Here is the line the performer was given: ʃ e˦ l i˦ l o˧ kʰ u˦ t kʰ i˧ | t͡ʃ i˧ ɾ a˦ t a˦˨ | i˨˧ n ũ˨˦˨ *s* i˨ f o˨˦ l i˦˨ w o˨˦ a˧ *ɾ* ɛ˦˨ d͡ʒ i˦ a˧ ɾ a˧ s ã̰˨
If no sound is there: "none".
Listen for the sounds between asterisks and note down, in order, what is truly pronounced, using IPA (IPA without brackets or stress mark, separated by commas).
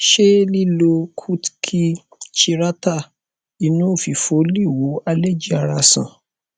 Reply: f, l